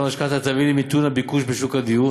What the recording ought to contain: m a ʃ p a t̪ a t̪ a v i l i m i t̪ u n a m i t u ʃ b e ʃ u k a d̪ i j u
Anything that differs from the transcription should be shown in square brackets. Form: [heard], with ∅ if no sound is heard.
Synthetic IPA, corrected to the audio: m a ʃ [k] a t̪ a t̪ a v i l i m i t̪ u n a [b] i [k] u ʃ b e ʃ u k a d̪ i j u